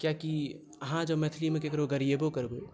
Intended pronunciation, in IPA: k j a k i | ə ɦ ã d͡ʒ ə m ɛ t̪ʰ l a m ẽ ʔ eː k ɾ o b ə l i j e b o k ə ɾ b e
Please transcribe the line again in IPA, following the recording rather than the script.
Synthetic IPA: k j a k i | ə ɦ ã d͡ʒ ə m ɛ t̪ʰ l i m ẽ k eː k ɾ o ɡ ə ɾ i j e b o k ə ɾ b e